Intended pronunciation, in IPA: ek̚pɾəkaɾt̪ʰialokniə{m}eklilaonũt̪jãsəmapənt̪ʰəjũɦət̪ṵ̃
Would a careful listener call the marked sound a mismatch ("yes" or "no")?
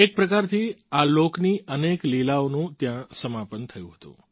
yes